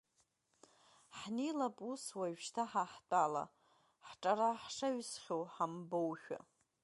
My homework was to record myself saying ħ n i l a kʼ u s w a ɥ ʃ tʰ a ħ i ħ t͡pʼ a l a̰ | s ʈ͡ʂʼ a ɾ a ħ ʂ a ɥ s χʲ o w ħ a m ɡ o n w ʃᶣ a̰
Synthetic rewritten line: ħ n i l a pʼ u s w a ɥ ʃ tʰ a ħ a ħ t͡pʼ a l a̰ | ħ ʈ͡ʂʼ a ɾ a ħ ʂ a ɥ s χʲ o w ħ a m b o w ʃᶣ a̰